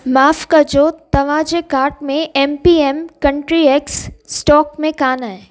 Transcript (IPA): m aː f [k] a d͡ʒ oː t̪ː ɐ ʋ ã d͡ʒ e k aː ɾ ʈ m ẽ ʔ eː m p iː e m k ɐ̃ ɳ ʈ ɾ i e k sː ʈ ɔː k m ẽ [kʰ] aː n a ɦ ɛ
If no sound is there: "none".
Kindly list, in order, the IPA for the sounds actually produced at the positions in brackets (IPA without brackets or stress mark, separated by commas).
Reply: k, k